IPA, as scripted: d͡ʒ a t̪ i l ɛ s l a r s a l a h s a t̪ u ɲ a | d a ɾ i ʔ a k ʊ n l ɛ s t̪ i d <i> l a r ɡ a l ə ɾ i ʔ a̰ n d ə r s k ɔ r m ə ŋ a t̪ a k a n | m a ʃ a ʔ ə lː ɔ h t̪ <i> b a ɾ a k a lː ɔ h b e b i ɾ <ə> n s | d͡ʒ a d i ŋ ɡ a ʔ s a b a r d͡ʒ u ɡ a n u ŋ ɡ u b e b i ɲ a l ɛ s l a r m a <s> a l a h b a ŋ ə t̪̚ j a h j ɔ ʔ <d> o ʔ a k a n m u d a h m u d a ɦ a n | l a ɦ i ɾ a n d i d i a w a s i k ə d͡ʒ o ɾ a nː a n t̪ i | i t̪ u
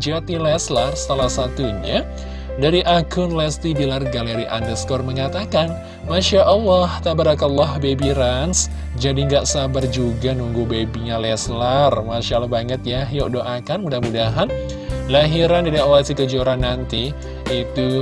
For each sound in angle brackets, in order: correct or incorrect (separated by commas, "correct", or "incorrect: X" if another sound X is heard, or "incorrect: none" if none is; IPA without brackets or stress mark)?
correct, incorrect: a, incorrect: a, incorrect: ʃ, correct